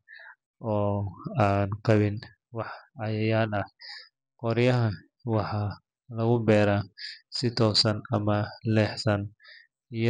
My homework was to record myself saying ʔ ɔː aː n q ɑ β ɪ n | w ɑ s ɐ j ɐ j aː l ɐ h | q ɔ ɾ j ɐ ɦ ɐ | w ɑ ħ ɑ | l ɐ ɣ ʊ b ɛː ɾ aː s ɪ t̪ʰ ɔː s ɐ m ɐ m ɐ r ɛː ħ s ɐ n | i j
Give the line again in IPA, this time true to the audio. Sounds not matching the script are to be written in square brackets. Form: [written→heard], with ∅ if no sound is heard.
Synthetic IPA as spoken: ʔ ɔː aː n q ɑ β ɪ n | w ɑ [s→ħ] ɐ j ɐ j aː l ɐ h | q ɔ ɾ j ɐ ɦ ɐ | w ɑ ħ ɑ | l ɐ ɣ ʊ b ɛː ɾ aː s ɪ t̪ʰ ɔː s ɐ [m→n] ɐ m ɐ [r→l] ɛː ħ s ɐ n | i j